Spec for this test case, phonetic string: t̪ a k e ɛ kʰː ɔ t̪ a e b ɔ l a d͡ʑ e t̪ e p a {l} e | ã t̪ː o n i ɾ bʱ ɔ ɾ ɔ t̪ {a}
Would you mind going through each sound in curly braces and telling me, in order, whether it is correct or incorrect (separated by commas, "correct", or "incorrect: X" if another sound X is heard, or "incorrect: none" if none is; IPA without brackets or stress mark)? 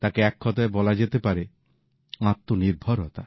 incorrect: ɾ, correct